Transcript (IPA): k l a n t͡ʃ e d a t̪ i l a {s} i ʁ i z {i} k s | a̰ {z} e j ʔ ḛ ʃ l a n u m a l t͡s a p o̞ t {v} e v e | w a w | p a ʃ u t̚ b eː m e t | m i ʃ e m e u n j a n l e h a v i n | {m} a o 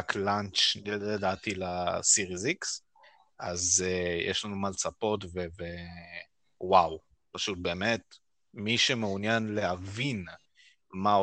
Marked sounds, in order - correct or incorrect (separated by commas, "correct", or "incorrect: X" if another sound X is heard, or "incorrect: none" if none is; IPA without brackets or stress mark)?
correct, correct, correct, correct, correct